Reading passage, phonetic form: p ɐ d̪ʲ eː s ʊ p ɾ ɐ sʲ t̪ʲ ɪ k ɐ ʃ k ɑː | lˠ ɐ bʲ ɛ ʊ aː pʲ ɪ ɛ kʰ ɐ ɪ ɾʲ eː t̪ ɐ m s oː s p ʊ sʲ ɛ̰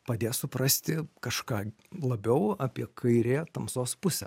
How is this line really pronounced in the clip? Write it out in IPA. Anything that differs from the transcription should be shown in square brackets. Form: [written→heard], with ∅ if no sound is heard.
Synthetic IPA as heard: p ɐ d̪ʲ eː s ʊ p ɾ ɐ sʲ t̪ʲ ɪ k ɐ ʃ k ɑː | lˠ ɐ bʲ ɛ ʊ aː pʲ [ɪ→i] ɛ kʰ ɐ ɪ ɾʲ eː t̪ ɐ m s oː s p ʊ sʲ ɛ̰